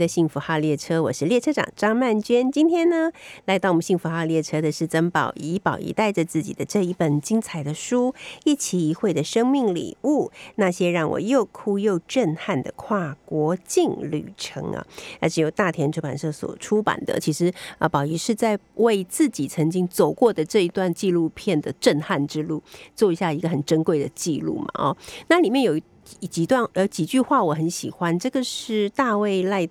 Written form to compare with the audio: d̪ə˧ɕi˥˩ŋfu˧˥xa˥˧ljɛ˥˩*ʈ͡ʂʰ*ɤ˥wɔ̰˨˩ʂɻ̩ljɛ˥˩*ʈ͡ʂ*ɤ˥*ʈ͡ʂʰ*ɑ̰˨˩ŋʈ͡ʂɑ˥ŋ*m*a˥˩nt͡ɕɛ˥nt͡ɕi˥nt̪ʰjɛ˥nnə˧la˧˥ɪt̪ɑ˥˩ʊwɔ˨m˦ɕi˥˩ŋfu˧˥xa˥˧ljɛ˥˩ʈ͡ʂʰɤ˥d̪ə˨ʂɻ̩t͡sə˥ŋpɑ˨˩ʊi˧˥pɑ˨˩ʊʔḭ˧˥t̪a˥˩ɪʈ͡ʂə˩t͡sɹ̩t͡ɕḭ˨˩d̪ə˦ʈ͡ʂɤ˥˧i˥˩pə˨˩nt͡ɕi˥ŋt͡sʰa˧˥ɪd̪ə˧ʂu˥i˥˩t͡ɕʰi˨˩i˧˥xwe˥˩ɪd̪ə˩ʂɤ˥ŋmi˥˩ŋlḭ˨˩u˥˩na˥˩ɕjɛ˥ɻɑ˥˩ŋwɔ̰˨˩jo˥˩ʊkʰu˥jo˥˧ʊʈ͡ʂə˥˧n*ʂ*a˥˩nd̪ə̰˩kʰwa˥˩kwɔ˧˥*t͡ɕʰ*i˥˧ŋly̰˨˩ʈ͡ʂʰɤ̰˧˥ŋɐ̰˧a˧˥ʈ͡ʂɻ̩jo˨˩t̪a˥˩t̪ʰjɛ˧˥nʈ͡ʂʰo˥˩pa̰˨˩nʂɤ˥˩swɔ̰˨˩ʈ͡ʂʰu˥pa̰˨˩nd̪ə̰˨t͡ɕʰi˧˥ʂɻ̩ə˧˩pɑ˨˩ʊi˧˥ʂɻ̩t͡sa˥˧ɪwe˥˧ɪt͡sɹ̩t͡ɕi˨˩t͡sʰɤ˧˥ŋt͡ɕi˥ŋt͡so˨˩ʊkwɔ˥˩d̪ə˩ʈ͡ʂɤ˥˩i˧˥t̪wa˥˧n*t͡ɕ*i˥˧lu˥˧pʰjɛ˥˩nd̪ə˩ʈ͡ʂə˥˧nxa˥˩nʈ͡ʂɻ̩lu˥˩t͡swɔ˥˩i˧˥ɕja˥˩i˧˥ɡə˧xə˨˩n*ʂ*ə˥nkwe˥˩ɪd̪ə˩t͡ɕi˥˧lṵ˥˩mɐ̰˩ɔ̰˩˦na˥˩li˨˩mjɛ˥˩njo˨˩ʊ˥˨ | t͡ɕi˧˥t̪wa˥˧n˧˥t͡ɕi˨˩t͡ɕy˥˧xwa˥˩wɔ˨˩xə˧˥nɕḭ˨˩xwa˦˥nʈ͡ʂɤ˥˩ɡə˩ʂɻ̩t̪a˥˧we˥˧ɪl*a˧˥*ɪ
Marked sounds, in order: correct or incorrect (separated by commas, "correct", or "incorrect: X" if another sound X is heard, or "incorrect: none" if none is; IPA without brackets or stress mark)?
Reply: correct, incorrect: ʈ͡ʂʰ, incorrect: ʈ͡ʂ, correct, incorrect: x, incorrect: t͡ɕ, correct, incorrect: ʈ͡ʂ, incorrect: a˥˧